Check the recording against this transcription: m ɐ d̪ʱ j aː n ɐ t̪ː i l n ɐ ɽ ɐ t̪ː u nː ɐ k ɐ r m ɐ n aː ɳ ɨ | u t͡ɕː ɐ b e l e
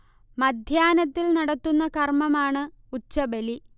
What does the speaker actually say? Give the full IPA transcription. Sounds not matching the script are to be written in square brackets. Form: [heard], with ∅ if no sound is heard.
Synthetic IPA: m ɐ d̪ʱ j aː n ɐ t̪ː i l n ɐ ɽ ɐ t̪ː u nː ɐ k ɐ r m ɐ [m] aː ɳ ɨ | u t͡ɕː ɐ b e l [i]

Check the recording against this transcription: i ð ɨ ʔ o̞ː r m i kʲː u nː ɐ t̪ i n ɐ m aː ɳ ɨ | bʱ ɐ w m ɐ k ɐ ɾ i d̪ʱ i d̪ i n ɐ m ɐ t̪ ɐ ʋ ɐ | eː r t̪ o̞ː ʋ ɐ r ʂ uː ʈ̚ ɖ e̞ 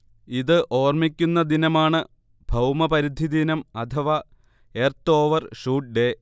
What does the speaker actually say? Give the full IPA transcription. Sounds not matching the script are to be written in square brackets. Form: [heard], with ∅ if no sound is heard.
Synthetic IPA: i ð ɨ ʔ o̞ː r m i kʲː u nː ɐ [d̪] i n ɐ m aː ɳ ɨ | bʱ ɐ w m ɐ [p] ɐ ɾ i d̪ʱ i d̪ i n ɐ m ɐ [t̪ʰ] ɐ ʋ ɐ | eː r t̪ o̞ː ʋ ɐ r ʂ uː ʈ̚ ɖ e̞

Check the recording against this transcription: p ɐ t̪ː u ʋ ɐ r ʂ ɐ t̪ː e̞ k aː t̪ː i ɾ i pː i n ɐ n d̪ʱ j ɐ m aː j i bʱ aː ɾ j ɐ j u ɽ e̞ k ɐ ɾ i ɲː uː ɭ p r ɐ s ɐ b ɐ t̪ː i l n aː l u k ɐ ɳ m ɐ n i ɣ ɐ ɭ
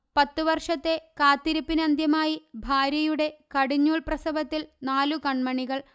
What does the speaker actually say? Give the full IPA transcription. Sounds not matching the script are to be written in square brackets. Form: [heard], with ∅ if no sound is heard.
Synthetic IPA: p ɐ t̪ː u ʋ ɐ r ʂ ɐ t̪ː e̞ k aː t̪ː i ɾ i pː i n ɐ n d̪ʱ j ɐ m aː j i bʱ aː ɾ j ɐ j u ɽ e̞ k ɐ [ɽ] i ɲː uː ɭ p r ɐ s ɐ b ɐ t̪ː i l n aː l u k ɐ ɳ m ɐ [ɳ] i ɣ ɐ ɭ

